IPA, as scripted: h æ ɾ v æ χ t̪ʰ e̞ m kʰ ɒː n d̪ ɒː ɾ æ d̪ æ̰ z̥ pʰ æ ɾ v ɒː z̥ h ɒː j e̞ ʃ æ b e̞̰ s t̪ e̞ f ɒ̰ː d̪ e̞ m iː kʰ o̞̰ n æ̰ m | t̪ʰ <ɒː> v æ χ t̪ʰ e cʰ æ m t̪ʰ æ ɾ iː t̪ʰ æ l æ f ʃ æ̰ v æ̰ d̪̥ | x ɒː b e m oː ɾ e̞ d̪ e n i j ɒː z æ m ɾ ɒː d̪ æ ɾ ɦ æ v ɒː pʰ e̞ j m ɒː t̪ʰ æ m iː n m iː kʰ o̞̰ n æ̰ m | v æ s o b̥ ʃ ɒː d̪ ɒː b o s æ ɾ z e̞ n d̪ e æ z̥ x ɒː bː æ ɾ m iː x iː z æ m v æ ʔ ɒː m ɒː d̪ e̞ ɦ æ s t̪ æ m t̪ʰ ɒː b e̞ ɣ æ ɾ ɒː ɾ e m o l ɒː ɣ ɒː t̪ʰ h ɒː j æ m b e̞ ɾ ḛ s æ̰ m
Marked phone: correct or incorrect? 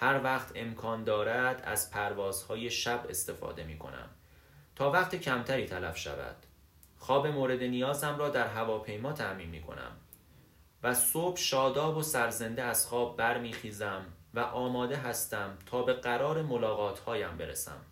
correct